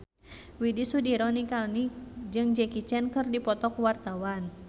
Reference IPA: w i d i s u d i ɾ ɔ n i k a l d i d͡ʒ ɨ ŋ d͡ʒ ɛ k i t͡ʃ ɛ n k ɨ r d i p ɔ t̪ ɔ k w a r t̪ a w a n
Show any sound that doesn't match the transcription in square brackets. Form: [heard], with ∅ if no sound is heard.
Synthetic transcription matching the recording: w i d i s u d i ɾ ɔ n i k a l [n] i d͡ʒ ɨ ŋ d͡ʒ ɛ k i t͡ʃ ɛ n k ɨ r d i p ɔ t̪ ɔ k w a r t̪ a w a n